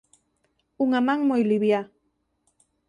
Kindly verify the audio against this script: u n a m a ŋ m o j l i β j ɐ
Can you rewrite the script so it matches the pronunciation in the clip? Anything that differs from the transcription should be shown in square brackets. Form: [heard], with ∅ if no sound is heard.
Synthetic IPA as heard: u [ŋ] a m a ŋ m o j l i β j [a]